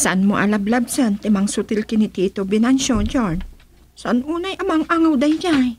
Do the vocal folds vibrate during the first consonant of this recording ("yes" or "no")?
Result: no